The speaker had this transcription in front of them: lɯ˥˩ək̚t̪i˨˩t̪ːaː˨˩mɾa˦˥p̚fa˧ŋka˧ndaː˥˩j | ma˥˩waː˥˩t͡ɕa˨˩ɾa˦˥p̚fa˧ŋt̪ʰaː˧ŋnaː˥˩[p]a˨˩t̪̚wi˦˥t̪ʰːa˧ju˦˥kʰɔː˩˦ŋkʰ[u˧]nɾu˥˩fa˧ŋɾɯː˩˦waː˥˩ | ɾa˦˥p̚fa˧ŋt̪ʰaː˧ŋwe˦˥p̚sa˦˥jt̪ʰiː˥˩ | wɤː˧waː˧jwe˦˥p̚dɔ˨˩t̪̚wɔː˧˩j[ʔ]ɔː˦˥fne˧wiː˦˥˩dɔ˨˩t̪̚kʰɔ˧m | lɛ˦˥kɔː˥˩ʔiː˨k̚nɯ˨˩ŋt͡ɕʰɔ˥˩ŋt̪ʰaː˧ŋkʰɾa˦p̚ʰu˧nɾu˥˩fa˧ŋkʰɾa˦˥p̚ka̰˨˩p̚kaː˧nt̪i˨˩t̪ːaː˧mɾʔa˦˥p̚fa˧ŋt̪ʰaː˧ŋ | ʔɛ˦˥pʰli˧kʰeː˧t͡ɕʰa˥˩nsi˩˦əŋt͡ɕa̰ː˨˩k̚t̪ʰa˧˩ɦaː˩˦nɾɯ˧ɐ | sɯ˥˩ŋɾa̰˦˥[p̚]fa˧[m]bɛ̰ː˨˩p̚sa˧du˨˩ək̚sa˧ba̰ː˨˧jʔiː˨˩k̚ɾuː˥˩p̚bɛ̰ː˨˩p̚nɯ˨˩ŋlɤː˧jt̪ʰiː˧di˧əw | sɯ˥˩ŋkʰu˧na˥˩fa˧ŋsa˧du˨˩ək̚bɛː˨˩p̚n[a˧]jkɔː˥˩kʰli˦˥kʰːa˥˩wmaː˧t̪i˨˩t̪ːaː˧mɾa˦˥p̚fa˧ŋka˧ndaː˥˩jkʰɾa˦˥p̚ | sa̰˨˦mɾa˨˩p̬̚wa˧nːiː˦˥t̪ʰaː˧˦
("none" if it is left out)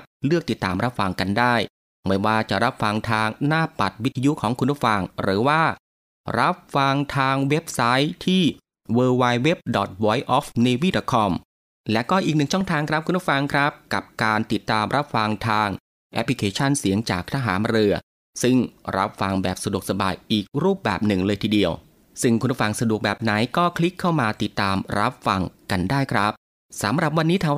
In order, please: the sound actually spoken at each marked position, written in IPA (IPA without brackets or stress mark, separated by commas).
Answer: p, u˧, ʔ, p̚, ŋ, a˩˦